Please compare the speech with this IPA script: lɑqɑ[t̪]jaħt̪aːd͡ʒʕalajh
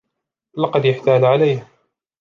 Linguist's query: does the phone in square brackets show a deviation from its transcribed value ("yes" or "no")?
yes